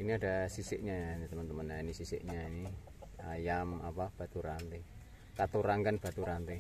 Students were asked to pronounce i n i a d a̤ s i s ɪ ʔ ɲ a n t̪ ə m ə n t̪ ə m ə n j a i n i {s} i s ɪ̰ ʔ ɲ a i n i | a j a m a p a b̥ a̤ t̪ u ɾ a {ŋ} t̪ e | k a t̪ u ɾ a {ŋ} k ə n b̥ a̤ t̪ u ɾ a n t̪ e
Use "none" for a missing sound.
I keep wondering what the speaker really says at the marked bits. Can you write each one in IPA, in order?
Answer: s, n, ŋ

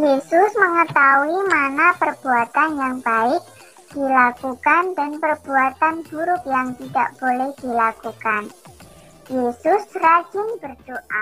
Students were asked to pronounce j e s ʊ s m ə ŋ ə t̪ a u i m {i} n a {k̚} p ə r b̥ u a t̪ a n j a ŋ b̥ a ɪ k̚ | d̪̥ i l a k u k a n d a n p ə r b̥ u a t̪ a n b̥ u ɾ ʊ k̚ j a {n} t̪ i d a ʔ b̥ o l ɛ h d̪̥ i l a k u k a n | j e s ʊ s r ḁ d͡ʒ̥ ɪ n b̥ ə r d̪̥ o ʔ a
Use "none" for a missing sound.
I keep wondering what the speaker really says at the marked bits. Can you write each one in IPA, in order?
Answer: a, none, ŋ

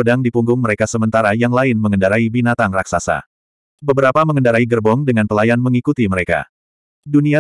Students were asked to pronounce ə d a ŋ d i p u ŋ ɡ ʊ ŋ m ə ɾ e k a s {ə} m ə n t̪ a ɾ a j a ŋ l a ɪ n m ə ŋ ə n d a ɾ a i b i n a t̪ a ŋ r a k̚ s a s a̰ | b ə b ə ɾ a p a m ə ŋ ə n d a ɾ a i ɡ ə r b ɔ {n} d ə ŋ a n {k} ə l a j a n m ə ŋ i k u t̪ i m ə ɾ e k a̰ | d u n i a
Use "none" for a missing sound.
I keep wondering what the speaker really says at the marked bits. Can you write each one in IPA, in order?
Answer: ə, ŋ, p

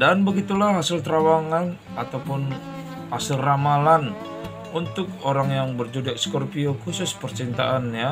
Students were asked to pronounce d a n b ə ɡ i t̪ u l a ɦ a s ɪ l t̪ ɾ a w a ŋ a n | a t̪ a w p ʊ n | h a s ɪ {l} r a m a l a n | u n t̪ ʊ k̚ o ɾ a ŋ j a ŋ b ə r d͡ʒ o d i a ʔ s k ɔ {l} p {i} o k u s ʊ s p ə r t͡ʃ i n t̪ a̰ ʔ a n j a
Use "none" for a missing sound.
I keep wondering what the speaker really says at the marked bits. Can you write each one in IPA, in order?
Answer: l, r, i

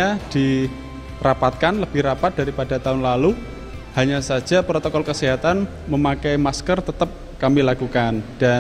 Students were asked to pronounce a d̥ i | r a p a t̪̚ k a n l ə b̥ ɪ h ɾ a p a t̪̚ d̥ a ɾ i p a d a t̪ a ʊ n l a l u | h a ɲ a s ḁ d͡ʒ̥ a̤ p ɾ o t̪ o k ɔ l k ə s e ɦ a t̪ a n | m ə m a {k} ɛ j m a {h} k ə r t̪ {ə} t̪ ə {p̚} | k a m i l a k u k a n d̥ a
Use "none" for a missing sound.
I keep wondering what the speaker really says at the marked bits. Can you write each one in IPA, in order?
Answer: k, s, ə, p̚

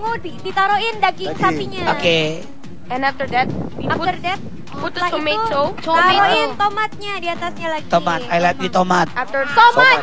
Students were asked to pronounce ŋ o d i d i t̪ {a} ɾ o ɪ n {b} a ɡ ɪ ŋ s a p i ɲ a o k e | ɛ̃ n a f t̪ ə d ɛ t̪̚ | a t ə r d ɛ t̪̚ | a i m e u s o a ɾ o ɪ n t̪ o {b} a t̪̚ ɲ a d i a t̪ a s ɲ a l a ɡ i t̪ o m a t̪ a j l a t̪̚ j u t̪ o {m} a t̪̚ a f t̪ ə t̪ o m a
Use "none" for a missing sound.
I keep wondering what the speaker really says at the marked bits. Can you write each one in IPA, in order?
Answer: a, d, m, m

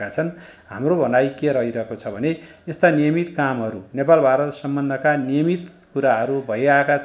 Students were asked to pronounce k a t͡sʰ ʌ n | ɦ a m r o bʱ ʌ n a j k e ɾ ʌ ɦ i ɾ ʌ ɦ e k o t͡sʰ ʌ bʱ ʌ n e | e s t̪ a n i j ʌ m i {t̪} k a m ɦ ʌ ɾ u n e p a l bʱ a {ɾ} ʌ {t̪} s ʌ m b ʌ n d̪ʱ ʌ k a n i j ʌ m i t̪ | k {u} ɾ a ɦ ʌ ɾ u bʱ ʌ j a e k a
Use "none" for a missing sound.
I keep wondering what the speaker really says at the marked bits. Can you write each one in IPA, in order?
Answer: t̪, ɾ, t̪, u

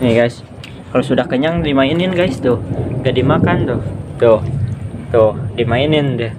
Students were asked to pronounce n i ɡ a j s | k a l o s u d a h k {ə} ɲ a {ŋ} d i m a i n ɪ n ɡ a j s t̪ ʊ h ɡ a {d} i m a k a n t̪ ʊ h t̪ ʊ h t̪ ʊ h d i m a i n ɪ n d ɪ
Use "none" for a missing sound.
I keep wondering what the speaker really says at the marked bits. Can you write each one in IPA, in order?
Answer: ə, ŋ, d

